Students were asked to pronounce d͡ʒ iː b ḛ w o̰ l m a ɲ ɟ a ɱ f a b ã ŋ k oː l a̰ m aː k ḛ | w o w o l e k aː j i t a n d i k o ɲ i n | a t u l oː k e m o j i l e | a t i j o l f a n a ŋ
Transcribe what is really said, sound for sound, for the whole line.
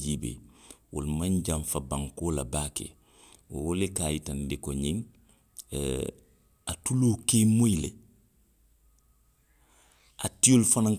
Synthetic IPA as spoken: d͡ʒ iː b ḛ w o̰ l m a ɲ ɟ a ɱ f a b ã ŋ k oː l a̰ b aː k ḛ | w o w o l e k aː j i t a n d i k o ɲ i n | a t u l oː k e m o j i l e | a t i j o l f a n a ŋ

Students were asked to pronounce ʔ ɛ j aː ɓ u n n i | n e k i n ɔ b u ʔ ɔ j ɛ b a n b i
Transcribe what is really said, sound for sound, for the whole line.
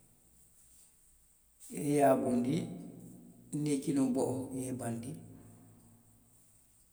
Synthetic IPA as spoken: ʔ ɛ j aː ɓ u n d i | n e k i n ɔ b ɔ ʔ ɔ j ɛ b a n d i

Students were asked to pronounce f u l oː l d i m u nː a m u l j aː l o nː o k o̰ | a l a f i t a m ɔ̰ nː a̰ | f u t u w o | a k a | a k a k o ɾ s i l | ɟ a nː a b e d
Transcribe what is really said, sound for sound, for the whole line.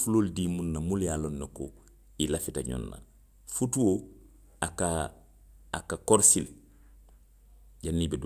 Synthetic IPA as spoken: f u l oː l d i m u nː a m u l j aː l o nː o k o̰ | i l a f i t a ɲ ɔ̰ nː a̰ | f u t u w o | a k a | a k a k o ɾ s i l | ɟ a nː i b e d

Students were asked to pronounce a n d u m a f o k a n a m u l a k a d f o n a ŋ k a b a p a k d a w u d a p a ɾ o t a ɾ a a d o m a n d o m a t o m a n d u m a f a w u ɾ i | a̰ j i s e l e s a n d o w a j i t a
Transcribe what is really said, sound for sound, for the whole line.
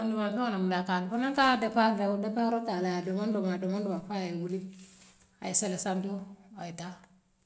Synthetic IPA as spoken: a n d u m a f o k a n a m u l a k a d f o n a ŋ k a d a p a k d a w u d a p a ɾ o t a l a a d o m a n d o m a d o m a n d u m a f a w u l i | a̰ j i s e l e s a n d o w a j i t a

